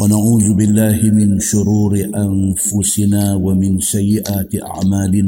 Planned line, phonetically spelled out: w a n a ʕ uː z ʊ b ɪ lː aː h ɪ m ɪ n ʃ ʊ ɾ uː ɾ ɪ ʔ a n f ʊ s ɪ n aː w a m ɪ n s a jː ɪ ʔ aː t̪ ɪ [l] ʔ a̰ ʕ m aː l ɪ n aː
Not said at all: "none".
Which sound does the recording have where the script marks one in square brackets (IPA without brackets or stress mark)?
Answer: none